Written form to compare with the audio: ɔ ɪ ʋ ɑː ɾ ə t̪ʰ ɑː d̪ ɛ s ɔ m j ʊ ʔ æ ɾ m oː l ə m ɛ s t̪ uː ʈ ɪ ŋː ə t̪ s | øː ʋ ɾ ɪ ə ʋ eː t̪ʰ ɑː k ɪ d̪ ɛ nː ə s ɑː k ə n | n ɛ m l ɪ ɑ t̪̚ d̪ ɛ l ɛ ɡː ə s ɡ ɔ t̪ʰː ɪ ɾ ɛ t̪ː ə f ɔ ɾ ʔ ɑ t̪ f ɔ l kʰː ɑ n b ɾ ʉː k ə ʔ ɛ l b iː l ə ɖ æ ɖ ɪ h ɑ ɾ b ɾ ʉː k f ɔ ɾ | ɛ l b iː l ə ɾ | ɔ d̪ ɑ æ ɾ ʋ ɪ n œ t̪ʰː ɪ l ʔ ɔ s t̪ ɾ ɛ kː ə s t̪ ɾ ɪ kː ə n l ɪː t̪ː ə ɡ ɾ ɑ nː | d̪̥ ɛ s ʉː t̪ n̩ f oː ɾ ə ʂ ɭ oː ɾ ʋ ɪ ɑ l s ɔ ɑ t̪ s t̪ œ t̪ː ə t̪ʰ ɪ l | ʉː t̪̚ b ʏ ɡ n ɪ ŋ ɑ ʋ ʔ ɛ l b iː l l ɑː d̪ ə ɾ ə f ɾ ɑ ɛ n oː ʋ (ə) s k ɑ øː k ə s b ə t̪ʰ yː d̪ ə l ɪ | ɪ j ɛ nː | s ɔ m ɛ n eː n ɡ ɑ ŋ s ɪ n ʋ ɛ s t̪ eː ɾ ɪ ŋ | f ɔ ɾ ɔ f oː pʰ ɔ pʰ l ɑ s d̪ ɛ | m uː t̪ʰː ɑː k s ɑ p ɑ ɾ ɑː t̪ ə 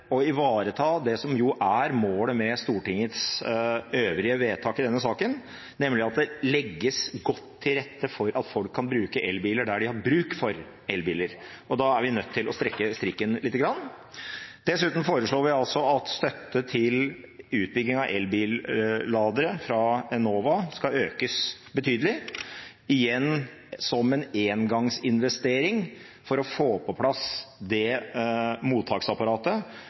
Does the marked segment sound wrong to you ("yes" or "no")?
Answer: yes